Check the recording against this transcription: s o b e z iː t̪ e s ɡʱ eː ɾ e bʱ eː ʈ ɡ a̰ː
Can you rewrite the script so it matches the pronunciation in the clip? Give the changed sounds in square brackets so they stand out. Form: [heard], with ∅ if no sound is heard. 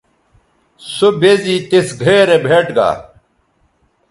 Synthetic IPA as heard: s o b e z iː t̪ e s ɡʱ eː ɾ e bʱ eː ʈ ɡ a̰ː

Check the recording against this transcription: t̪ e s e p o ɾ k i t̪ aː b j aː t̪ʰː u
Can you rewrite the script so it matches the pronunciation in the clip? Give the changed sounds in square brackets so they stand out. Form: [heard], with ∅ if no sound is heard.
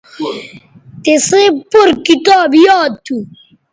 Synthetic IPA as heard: t̪ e s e p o ɾ k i t̪ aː b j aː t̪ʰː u

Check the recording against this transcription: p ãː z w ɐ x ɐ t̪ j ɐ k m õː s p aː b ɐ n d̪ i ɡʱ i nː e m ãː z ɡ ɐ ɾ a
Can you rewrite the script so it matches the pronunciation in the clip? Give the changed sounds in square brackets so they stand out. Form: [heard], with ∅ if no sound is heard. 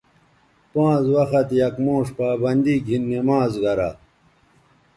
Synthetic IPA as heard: p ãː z w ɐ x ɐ t̪ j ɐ k m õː [ʂ] p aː b ɐ n d̪ i ɡʱ i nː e m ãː z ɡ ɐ ɾ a

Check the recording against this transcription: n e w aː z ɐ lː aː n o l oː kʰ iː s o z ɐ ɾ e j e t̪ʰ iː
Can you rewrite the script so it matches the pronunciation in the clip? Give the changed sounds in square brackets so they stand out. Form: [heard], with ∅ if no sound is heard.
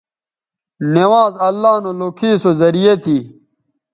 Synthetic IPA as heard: n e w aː z ɐ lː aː n o l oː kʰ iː s o z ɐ ɾ [i] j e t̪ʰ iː

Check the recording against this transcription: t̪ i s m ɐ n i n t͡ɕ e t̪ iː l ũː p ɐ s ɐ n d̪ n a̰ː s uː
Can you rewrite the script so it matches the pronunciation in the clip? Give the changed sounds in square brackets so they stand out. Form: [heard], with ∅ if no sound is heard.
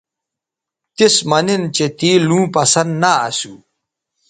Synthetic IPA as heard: t̪ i s m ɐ n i n t͡ɕ e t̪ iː l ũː p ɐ s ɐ n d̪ n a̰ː s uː

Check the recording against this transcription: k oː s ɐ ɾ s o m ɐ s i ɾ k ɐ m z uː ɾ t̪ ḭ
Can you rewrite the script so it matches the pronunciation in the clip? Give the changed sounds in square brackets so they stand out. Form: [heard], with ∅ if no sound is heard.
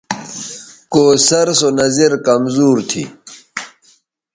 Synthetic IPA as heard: k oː s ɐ ɾ s o [n] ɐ [z] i ɾ k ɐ m z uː ɾ [t̪ʰ] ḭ

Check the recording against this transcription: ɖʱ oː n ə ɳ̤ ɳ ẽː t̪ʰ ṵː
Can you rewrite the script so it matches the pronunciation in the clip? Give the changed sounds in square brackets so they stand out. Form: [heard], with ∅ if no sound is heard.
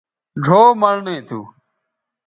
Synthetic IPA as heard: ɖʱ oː [m] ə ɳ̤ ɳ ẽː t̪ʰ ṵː

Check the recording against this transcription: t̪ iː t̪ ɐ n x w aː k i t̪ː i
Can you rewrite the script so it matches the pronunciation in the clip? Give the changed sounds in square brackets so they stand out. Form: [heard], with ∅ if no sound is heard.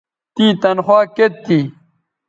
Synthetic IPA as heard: t̪ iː t̪ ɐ n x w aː k [e] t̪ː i

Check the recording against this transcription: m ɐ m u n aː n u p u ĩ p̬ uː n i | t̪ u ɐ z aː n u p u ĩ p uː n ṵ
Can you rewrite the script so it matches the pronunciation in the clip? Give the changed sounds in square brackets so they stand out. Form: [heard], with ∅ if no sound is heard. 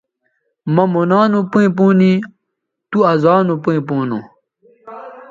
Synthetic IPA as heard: m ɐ m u n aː n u p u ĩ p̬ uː n i | t̪ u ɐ z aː n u p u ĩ p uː n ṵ

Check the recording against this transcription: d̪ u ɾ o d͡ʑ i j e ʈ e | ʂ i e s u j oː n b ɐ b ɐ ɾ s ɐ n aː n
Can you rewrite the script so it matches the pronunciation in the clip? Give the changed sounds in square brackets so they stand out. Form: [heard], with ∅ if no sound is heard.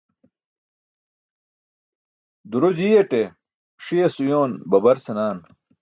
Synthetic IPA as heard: d̪ u ɾ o d͡ʑ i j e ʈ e | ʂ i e s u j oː n b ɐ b ɐ ɾ s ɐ n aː n

